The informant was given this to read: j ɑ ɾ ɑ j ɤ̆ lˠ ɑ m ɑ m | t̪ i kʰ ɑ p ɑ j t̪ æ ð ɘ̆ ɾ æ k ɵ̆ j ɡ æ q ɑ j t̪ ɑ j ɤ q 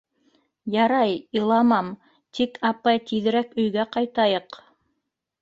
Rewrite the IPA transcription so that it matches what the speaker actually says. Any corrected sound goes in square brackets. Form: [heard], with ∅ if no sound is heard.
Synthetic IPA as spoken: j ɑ ɾ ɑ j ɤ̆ lˠ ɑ m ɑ m | t̪ i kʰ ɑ p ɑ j t̪ [i] ð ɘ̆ ɾ æ k ɵ̆ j ɡ æ q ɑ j t̪ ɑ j ɤ q